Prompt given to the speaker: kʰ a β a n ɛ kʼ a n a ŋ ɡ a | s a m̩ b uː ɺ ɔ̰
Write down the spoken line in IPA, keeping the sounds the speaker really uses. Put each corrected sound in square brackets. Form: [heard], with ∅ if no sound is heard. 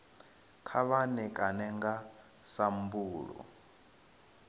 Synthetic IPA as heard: kʰ a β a n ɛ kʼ a n [ɛ] ŋ ɡ a | s a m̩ b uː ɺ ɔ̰

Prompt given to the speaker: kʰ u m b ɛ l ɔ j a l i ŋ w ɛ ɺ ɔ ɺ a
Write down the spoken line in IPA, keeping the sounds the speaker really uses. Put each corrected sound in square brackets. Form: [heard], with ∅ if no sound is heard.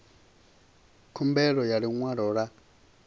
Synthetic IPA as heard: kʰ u m b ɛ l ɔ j a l i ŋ w [a] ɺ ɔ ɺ a

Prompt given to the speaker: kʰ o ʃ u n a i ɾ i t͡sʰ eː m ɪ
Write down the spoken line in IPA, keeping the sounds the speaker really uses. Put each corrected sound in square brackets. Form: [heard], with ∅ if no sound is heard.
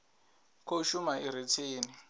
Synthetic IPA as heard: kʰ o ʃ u [m] a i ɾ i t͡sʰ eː [n] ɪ

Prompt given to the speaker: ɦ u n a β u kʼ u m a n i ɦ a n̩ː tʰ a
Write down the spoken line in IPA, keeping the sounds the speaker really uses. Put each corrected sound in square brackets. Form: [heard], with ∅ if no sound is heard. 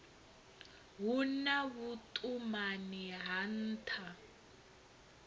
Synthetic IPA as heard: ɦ u n a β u [tʼ] u m a n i ɦ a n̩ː tʰ a

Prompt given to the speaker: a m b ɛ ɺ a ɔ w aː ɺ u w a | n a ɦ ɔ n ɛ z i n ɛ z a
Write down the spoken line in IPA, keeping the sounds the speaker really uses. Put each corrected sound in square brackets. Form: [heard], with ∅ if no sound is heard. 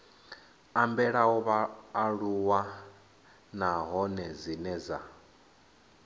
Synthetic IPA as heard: a m b ɛ ɺ a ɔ [β] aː ɺ u w a | n a ɦ ɔ n ɛ z i n ɛ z a

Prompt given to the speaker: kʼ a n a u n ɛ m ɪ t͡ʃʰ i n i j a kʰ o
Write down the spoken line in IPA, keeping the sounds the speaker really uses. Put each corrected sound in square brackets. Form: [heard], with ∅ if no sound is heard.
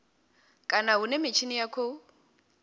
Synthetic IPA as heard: kʼ a n a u n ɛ m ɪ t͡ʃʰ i n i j a kʰ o

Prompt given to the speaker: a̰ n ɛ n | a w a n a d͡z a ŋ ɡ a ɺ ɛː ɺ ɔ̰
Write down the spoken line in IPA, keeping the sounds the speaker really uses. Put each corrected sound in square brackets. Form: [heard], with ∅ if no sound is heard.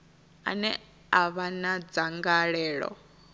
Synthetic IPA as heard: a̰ n ɛ [∅] | a [β] a n a d͡z a ŋ ɡ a ɺ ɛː ɺ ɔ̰

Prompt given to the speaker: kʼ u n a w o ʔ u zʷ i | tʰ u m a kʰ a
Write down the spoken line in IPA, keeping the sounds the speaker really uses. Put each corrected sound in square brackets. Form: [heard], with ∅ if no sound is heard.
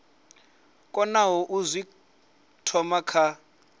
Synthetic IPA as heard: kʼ [ɔ] n a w [ɔ] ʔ u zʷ i | tʰ [ɔ] m a kʰ a

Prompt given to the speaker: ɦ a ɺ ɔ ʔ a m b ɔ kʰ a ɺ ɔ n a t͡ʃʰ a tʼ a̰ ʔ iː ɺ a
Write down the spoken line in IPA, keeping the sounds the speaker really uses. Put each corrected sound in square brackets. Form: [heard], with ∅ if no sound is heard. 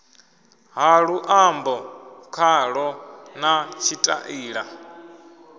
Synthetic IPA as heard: ɦ a ɺ [u] ʔ a m b ɔ kʰ a ɺ ɔ n a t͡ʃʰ [i] tʼ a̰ ʔ iː ɺ a

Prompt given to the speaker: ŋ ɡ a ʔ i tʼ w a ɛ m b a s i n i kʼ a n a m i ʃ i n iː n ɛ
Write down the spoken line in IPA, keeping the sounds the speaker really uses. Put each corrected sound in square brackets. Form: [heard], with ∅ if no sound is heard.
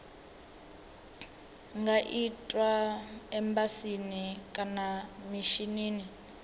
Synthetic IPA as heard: ŋ ɡ a ʔ i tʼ w a ɛ m b a s i n i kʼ a n a m i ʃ i n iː n [i]

